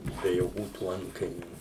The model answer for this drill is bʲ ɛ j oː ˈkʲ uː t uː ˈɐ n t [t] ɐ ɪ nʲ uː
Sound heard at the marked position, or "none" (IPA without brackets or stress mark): k